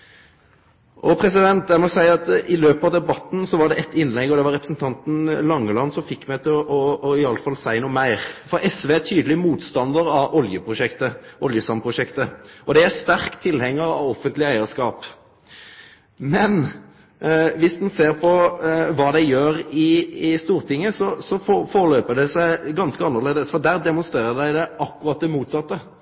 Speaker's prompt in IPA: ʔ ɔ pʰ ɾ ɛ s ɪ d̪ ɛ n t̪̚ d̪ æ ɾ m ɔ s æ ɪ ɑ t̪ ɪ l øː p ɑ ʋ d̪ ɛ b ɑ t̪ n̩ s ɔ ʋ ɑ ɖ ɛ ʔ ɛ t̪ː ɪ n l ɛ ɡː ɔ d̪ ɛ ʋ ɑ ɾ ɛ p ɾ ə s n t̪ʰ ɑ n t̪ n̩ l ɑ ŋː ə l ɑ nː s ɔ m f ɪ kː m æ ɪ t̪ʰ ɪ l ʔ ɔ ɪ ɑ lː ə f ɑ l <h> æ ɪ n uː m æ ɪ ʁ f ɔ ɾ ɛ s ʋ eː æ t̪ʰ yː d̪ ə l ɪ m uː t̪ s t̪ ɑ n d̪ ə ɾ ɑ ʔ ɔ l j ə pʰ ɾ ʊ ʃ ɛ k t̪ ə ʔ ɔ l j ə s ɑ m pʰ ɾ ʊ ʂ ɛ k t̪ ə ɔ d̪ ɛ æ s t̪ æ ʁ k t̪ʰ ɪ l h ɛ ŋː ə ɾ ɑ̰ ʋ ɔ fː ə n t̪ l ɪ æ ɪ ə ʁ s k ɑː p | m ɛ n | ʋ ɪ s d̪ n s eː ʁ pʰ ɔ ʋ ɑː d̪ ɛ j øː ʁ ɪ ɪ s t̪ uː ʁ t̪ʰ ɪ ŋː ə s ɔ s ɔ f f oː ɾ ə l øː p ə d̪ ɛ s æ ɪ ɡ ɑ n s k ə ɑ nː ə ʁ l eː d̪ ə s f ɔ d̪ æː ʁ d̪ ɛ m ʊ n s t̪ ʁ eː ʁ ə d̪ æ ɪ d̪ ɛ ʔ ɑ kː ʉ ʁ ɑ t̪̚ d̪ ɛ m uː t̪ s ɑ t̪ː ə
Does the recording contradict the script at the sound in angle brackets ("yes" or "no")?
yes